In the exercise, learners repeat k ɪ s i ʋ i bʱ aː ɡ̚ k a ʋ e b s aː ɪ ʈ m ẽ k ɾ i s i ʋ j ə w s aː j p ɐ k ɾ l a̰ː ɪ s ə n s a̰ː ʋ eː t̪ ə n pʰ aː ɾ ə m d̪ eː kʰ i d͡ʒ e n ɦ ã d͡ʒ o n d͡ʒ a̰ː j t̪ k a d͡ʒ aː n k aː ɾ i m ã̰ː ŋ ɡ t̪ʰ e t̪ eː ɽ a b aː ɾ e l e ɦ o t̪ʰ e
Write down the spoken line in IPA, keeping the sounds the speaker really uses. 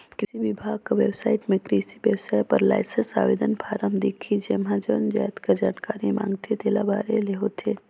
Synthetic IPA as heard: k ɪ s i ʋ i bʱ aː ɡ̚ k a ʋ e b s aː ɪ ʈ m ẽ k ɾ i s i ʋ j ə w s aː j p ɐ ɾ l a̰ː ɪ s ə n s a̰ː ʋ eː d̪ ə n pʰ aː ɾ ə m d̪ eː kʰ i d͡ʒ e m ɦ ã d͡ʒ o n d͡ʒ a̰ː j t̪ k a d͡ʒ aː n k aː ɾ i m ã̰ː ŋ ɡ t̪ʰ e t̪ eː l a b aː ɾ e l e ɦ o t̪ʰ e

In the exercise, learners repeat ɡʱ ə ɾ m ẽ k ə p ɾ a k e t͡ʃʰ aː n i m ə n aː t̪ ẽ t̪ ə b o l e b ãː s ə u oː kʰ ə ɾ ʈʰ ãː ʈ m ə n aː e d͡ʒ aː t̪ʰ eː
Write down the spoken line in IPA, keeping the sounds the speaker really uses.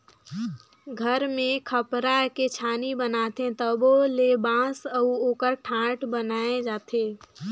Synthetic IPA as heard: ɡʱ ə ɾ m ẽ kʰ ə p ɾ a k e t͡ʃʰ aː n i b ə n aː t̪ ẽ t̪ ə b o l e b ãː s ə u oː k ə ɾ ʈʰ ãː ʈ b ə n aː e d͡ʒ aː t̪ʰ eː

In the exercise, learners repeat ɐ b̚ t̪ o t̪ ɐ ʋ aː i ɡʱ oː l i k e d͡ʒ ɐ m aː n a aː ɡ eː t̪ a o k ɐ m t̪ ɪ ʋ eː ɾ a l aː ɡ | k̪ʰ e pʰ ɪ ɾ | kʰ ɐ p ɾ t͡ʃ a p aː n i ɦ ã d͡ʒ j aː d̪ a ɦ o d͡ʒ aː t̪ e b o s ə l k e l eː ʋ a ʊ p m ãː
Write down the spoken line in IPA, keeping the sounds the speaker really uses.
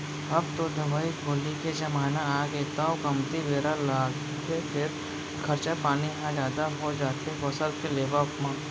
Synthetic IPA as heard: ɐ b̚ t̪ o d̪ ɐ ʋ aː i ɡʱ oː l i k e d͡ʒ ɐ m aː n a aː ɡ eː t̪ a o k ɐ m t̪ i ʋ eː ɾ a l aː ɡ | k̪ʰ e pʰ ɪ ɾ | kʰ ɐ ɾ t͡ʃ a p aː n i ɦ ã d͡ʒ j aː d̪ a ɦ o d͡ʒ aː t̪ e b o s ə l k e l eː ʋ a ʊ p m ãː

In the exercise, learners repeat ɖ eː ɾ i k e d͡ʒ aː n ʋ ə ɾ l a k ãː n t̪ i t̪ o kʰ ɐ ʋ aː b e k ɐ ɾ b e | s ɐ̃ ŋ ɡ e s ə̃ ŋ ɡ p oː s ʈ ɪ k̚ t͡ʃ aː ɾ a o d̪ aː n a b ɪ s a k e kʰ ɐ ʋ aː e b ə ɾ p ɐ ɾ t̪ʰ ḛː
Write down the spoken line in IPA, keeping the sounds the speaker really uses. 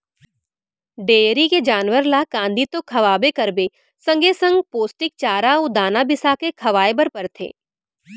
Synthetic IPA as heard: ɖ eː ɾ i k e d͡ʒ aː n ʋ ə ɾ l a k ãː n d̪ i t̪ o kʰ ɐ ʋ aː b e k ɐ ɾ b e | s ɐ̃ ŋ ɡ e s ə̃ ŋ ɡ p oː s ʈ ɪ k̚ t͡ʃ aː ɾ a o d̪ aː n a b ɪ s a k e kʰ ɐ ʋ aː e b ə ɾ p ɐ ɾ t̪ʰ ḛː

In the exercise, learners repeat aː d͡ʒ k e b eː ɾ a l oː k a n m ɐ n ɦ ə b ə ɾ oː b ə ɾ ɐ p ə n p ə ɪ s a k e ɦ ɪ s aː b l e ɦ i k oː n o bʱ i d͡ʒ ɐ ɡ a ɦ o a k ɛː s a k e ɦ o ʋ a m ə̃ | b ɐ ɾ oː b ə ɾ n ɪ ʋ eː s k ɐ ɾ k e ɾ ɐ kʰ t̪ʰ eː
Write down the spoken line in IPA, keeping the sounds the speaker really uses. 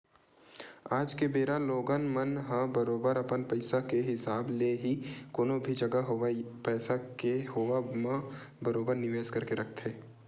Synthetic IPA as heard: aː d͡ʒ k e b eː ɾ a l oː ɡ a n m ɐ n ɦ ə b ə ɾ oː b ə ɾ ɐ p ə n p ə ɪ s a k e ɦ ɪ s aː b l e ɦ i k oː n o bʱ i d͡ʒ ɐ ɡ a ɦ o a p ɛː s a k e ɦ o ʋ a m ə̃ | b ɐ ɾ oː b ə ɾ n ɪ ʋ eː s k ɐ ɾ k e ɾ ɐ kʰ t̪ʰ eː

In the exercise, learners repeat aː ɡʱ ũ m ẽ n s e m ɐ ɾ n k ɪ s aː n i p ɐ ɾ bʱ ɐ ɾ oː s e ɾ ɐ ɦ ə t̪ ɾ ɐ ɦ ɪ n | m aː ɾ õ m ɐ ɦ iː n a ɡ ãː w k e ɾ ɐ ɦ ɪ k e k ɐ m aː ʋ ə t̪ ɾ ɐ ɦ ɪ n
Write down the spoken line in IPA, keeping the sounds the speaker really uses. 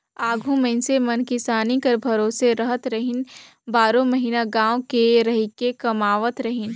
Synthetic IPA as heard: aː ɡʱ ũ m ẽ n s e m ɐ n k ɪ s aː n i k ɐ ɾ bʱ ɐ ɾ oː s e ɾ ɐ ɦ ə t̪ ɾ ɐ ɦ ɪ n | b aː ɾ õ m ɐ ɦ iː n a ɡ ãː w k e ɾ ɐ ɦ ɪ k e k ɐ m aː ʋ ə t̪ ɾ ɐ ɦ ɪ n

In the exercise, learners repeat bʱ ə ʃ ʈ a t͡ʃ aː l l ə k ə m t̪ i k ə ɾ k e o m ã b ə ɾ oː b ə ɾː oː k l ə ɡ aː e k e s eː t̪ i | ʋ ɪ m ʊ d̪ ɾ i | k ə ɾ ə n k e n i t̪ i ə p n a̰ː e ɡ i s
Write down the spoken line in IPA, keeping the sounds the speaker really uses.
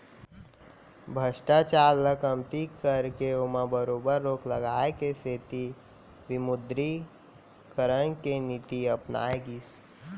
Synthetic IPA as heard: bʱ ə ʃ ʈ a t͡ʃ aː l l ə k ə m t̪ i k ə ɾ k e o m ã b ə ɾ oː b ə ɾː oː k l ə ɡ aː e k e s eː t̪ i | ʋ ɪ m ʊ d̪ ɾ i | k ə ɾ ə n k e n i t̪ i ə p n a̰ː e ɡ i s

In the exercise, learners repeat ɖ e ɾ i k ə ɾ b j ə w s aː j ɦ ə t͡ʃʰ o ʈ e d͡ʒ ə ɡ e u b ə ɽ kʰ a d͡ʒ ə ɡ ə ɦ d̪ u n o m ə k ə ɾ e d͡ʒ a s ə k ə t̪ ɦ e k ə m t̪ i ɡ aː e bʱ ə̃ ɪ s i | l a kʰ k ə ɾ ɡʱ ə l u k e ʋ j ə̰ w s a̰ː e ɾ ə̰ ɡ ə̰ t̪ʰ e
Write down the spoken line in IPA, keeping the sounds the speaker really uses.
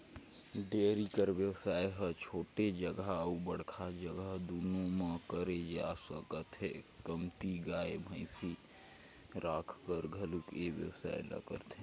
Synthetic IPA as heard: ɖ e ɾ i k ə ɾ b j ə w s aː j ɦ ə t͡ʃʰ o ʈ e d͡ʒ ə ɡ a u b ə ɽ kʰ a d͡ʒ ə ɡ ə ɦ d̪ u n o m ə k ə ɾ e d͡ʒ a s ə k ə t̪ ɦ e k ə m t̪ i ɡ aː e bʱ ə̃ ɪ s i | ɾ a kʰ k ə ɾ ɡʱ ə l u k e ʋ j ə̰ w s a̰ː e l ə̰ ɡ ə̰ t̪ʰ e

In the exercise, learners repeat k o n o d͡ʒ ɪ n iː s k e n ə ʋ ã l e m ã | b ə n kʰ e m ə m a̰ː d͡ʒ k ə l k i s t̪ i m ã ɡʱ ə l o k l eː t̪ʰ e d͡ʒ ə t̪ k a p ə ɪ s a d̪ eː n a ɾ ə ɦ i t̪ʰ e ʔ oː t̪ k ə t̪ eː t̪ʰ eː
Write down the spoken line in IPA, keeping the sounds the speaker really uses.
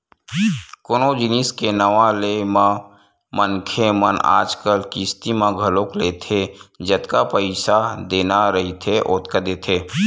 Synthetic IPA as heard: k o n o d͡ʒ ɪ n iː s k e n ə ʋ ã l e m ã | m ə n kʰ e m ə n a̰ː d͡ʒ k ə l k i s t̪ i m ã ɡʱ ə l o k l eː t̪ʰ e d͡ʒ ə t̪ k a p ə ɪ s a d̪ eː n a ɾ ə ɦ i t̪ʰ e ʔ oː t̪ k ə d̪ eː t̪ʰ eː

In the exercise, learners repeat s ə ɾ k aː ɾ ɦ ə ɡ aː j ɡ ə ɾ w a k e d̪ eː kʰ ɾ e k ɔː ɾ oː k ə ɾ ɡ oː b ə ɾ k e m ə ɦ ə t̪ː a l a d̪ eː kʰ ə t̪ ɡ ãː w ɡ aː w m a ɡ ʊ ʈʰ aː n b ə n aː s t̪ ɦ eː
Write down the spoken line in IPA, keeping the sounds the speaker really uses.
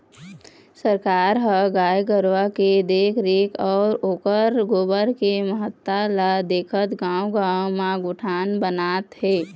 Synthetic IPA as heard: s ə ɾ k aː ɾ ɦ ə ɡ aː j ɡ ə ɾ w a k e d̪ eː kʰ ɾ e k ɔː ɾ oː k ə ɾ ɡ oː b ə ɾ k e m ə ɦ ə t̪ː a l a d̪ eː kʰ ə t̪ ɡ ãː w ɡ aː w m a ɡ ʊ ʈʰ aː n b ə n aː t̪ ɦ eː

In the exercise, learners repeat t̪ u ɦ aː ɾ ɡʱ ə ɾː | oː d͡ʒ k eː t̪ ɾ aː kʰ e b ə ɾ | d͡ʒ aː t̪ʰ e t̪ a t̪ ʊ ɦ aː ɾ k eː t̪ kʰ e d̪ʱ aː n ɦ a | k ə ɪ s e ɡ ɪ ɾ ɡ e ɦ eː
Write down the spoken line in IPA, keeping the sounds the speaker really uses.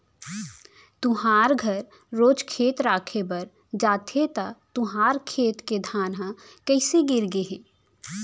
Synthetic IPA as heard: t̪ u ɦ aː ɾ ɡʱ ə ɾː | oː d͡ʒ kʰ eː t̪ ɾ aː kʰ e b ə ɾ | d͡ʒ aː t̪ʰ e t̪ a t̪ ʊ ɦ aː ɾ kʰ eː t̪ k e d̪ʱ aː n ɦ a | k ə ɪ s e ɡ ɪ ɾ ɡ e ɦ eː

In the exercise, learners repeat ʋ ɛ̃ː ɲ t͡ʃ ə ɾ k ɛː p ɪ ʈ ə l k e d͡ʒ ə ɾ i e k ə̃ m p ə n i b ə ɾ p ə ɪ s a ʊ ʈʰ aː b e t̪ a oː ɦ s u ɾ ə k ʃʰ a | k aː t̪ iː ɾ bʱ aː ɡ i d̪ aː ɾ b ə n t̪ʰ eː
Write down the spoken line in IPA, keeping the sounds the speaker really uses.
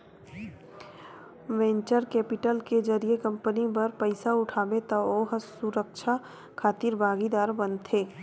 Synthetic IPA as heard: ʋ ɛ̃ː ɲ t͡ʃ ə ɾ k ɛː p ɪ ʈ ə l k e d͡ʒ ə ɾ i e k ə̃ m p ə n i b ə ɾ p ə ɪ s a ʊ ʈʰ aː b e t̪ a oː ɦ s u ɾ ə k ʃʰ a | kʰ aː t̪ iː ɾ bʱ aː ɡ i d̪ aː ɾ b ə n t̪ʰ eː

